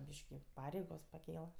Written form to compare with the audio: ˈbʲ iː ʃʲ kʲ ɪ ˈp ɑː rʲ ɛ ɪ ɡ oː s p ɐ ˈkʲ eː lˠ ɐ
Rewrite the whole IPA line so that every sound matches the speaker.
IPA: ˈbʲ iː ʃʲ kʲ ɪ ˈp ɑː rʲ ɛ ɪ ɡ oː s p ɐ ˈkʲ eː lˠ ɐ